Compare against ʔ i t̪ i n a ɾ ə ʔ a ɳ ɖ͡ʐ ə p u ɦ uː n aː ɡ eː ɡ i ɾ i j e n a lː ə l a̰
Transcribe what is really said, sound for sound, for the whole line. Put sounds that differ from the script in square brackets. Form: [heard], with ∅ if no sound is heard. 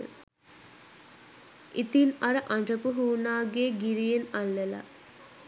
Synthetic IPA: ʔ i t̪ i n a ɾ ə ʔ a ɳ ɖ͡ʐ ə p u ɦ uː n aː ɡ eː ɡ i ɾ i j e n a lː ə l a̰